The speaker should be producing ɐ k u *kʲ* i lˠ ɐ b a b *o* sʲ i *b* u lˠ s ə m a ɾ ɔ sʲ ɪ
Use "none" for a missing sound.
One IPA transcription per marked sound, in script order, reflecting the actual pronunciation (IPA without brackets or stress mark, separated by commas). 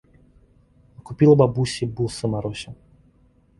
pʲ, u, b